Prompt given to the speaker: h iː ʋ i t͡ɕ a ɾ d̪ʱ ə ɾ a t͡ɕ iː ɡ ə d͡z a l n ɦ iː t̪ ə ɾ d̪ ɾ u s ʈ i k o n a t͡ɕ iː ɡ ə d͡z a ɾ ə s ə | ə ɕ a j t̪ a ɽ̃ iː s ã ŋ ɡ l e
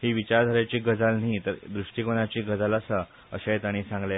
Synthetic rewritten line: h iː ʋ i t͡ɕ a ɾ d̪ʱ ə ɾ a t͡ɕ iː ɡ ə d͡z a l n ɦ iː t̪ ə ɾ d̪ ɾ u ʂ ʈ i k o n a t͡ɕ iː ɡ ə d͡z a l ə s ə | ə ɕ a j t̪ a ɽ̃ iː s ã ŋ ɡ l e